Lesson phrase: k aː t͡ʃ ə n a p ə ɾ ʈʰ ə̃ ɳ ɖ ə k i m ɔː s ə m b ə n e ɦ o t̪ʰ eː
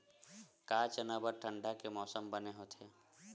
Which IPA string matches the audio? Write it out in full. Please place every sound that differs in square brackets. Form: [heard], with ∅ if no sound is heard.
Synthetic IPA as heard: k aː t͡ʃ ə n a [b] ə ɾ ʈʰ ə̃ ɳ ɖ [a] k [e] m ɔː s ə m b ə n e ɦ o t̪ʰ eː